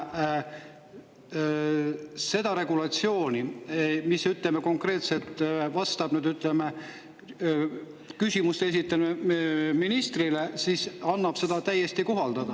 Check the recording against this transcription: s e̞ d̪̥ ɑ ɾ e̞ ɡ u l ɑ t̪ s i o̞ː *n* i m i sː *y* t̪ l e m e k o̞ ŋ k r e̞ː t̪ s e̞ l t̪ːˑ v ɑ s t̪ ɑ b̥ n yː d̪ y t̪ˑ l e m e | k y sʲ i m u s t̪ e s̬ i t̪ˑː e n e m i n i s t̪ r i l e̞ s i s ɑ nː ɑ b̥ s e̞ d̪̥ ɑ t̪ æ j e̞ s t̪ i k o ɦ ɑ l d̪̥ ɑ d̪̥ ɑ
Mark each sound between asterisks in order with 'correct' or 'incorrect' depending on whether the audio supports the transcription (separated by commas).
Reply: correct, correct